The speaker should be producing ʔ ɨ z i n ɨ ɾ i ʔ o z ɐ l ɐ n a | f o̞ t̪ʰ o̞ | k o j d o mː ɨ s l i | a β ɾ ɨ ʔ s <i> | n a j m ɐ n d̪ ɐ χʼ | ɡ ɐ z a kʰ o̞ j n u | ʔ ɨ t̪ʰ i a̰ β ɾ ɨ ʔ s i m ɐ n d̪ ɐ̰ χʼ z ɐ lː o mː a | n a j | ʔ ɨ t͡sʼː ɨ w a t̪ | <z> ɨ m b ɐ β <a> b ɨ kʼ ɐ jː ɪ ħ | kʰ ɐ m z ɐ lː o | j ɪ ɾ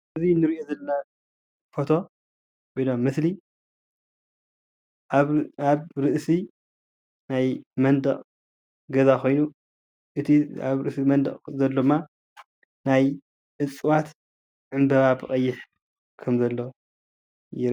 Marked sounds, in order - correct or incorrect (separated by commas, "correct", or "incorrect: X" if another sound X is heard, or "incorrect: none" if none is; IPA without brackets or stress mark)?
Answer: correct, incorrect: ʕ, correct